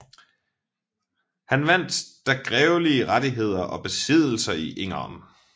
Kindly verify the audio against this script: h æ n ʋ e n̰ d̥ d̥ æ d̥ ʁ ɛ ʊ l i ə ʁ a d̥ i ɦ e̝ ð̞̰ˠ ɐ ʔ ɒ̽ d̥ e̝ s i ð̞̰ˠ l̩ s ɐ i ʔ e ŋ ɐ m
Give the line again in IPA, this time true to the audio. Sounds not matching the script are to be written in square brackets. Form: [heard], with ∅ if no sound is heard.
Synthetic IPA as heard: h æ n ʋ [æ] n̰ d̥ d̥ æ [ɡ̥] ʁ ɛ ʊ l i ə ʁ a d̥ i ɦ e̝ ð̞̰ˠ ɐ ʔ ɒ̽ [b̥] e̝ s i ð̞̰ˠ l̩ s ɐ i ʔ e ŋ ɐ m

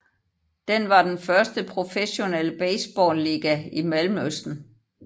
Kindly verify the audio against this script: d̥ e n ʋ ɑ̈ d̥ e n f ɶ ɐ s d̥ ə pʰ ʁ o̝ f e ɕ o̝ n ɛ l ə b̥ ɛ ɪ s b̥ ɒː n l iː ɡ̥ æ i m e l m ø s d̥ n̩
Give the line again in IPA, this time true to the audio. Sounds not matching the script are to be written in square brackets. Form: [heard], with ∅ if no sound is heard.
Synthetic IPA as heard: d̥ e n ʋ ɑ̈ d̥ e n f ɶ ɐ s d̥ ə pʰ ʁ o̝ f e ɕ o̝ n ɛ l ə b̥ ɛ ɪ s b̥ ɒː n l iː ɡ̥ æ i m [æ] l m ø s d̥ n̩

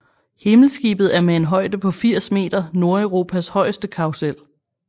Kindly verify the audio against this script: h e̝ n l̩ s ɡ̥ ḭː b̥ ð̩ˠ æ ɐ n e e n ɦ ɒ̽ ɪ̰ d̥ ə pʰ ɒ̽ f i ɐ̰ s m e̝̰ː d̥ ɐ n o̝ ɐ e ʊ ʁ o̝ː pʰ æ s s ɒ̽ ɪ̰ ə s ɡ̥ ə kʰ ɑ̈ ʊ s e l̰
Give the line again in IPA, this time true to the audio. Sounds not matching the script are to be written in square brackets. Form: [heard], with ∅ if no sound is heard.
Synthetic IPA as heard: h e̝ [m] l̩ s ɡ̥ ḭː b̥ ð̩ˠ æ ɐ [m] e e n ɦ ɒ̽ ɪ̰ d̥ ə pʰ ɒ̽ f i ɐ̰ s m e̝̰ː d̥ ɐ n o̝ ɐ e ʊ ʁ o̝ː pʰ æ s [h] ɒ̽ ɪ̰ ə s [d̥] ə kʰ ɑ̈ ʊ s e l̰

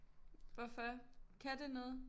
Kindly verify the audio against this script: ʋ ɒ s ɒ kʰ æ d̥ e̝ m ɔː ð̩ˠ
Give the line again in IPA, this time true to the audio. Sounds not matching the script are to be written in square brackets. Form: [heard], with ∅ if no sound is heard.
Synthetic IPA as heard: ʋ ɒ [f] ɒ kʰ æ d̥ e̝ [n] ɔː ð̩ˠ

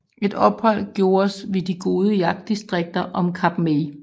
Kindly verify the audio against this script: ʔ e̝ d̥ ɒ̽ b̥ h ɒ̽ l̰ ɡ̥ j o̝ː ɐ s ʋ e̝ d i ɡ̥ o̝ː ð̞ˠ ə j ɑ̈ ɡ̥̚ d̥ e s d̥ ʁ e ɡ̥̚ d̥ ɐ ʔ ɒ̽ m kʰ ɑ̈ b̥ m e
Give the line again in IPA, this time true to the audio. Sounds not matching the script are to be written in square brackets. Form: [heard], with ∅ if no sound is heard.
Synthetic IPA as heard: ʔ e̝ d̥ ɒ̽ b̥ h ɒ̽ l̰ ɡ̥ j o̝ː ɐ s ʋ e̝ d i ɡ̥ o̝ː ð̞ˠ ə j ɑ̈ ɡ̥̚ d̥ [i] s d̥ ʁ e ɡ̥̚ d̥ ɐ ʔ ɒ̽ m kʰ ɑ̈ b̥ m e

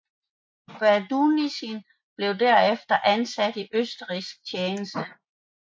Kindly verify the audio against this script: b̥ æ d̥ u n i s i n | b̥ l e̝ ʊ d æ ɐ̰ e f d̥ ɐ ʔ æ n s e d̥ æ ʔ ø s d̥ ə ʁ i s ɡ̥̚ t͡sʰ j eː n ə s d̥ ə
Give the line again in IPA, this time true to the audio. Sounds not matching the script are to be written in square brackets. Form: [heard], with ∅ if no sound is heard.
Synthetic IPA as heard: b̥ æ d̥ u n i s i n | b̥ l e̝ ʊ d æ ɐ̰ e f d̥ ɐ ʔ æ n s [æ] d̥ [i] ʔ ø s d̥ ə ʁ i s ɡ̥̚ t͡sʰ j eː n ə s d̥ ə

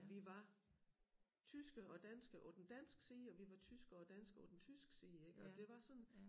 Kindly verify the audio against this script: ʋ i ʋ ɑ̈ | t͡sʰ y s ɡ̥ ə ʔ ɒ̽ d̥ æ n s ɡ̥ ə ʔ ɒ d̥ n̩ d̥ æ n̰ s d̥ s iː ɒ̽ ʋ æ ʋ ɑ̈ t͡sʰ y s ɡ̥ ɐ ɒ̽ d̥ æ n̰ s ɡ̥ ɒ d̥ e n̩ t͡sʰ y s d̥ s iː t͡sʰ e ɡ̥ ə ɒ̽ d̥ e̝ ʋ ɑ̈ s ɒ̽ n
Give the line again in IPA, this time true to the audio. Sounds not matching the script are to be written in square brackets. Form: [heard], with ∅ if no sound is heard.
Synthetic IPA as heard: ʋ i ʋ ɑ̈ | t͡sʰ y s ɡ̥ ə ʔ ɒ̽ d̥ æ n s ɡ̥ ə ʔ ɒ d̥ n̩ d̥ æ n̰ s [ɡ̥] s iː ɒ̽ ʋ [i] ʋ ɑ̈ t͡sʰ y s ɡ̥ ɐ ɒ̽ d̥ æ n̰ s ɡ̥ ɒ d̥ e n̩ t͡sʰ y s [ɡ̥] s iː [∅] e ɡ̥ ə ɒ̽ d̥ e̝ ʋ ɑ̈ s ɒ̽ n

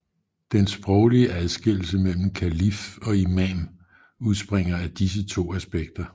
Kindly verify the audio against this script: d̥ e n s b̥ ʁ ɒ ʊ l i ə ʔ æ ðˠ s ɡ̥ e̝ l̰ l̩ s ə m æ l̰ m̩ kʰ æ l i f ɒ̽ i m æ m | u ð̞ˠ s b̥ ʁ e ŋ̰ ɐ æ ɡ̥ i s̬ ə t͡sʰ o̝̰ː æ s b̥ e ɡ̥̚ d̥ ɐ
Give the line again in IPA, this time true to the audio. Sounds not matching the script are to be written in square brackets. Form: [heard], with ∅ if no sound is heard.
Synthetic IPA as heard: d̥ e n s b̥ ʁ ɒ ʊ l i ə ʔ æ ðˠ s ɡ̥ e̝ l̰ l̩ s ə m [e] l̰ m̩ kʰ æ l i f ɒ̽ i m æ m | u ð̞ˠ s b̥ ʁ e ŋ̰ ɐ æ [d̥] i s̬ ə t͡sʰ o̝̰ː æ s b̥ e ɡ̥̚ d̥ ɐ

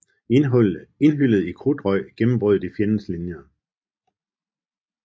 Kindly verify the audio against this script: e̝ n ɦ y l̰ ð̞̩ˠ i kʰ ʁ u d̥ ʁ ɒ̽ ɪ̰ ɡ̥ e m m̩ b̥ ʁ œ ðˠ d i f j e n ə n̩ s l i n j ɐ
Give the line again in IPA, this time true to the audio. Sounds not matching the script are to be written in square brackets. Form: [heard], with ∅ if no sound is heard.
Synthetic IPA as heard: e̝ n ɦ y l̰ ð̞̩ˠ i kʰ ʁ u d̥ ʁ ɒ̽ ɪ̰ ɡ̥ e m m̩ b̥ ʁ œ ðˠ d i f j e n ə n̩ s l i n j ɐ

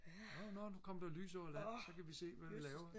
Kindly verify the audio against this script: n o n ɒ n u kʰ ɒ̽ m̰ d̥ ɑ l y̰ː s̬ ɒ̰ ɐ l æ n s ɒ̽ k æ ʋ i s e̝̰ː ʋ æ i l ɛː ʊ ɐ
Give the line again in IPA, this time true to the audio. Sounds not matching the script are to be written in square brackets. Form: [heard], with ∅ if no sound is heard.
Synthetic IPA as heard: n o n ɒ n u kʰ ɒ̽ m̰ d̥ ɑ l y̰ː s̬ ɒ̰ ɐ l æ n s ɒ̽ k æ ʋ i s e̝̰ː ʋ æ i l ɛː ʊ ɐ

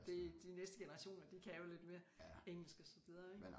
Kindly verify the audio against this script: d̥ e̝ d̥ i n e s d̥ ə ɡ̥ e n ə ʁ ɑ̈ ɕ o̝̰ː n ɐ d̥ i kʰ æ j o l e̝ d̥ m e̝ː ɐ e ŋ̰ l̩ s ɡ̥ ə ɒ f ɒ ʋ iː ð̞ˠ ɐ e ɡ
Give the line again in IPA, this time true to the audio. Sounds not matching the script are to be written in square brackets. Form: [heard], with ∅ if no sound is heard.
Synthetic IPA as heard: d̥ e̝ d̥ i n e s d̥ ə ɡ̥ e n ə ʁ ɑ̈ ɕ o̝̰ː n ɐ d̥ i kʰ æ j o l e̝ d̥ m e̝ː ɐ e ŋ̰ l̩ s ɡ̥ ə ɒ [s] ɒ ʋ [i] ð̞ˠ ɐ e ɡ

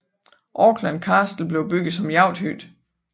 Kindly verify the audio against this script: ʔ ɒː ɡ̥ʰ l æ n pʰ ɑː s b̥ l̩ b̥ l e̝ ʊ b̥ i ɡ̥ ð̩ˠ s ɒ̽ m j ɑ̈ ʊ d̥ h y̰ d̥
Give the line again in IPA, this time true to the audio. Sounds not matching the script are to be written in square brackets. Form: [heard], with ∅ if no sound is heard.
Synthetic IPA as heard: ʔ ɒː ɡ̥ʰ l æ n [kʰ] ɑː s [d̥] l̩ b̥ l e̝ ʊ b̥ [y] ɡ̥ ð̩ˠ s ɒ̽ m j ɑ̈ ʊ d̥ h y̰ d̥

